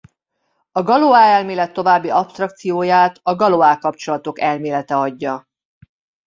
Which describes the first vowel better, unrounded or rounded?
rounded